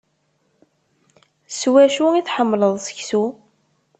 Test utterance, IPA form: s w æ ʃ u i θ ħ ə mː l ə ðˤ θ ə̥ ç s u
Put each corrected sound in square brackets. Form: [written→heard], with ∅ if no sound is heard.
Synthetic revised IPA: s w æ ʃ u i θ ħ ə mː l ə ðˤ [θ→s] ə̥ ç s u

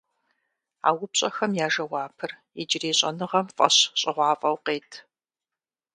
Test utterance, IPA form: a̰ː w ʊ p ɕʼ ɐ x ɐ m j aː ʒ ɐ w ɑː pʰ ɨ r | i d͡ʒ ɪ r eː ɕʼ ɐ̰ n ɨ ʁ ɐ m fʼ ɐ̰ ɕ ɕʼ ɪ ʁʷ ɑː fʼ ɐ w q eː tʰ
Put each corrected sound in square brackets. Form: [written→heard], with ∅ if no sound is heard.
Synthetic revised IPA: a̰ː w ʊ p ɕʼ ɐ x ɐ m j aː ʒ ɐ w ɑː pʰ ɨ r | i d͡ʒ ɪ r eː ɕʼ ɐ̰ n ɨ ʁ ɐ m fʼ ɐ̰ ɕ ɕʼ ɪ ʁʷ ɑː fʼ ɐ w q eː tʰ

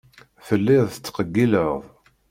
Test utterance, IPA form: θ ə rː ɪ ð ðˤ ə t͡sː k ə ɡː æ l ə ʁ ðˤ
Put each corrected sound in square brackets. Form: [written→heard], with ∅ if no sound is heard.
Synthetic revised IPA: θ ə [rː→lː] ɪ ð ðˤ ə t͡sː [k→q] ə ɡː [æ→i] l ə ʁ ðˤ

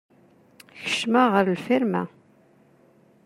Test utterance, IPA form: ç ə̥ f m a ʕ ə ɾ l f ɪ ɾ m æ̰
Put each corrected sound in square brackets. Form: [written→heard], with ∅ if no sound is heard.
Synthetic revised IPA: ç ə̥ [f→ʃ] m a [ʕ→ʁ] ə ɾ l f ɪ ɾ m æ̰

